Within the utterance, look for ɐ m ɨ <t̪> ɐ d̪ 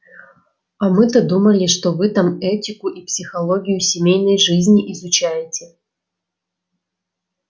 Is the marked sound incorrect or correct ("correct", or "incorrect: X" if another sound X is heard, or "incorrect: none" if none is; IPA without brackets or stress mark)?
correct